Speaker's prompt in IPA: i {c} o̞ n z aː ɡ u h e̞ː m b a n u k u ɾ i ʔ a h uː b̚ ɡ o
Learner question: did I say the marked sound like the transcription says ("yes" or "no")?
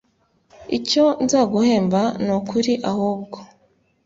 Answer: yes